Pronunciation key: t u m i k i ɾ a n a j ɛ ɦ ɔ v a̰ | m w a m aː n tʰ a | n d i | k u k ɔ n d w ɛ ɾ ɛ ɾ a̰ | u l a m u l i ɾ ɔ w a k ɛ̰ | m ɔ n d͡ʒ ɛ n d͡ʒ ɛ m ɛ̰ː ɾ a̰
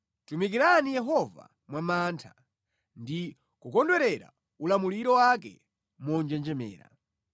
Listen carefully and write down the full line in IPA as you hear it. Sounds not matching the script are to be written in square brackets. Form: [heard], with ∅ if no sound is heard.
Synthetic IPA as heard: t u m i k i ɾ a n [i] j ɛ ɦ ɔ v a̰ | m w a m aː n tʰ a | n d i | k u k ɔ n d w ɛ ɾ ɛ ɾ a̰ | u l a m u l i ɾ ɔ w a k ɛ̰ | m ɔ n d͡ʒ ɛ n d͡ʒ ɛ m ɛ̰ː ɾ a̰